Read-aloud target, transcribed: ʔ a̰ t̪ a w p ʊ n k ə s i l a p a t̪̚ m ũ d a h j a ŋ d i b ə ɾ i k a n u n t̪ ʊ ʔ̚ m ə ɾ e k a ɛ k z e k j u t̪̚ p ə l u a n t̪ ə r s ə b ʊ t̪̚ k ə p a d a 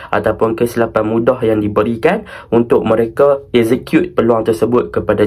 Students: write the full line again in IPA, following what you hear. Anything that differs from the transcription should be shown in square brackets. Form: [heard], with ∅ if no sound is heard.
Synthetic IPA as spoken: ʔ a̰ t̪ a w p ʊ n k ə s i l a p a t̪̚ m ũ d a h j a ŋ d i b ə ɾ i k a n u n t̪ ʊ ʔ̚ m ə ɾ e k a ɛ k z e k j u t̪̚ p ə l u a [ŋ] t̪ ə r s ə b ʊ t̪̚ k ə p a d a